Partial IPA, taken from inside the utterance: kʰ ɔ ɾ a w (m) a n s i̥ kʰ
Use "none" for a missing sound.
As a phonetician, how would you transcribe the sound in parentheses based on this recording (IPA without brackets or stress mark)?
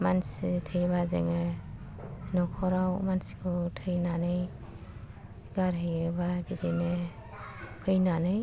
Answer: m